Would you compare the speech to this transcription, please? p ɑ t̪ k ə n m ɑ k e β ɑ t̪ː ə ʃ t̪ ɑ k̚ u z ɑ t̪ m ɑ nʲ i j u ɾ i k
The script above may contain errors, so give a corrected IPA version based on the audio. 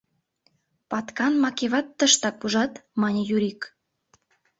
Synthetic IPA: p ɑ t̪ k ɑ n m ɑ k e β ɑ t̪ː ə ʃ t̪ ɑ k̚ u ʒ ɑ t̪ m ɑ nʲ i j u ɾ i k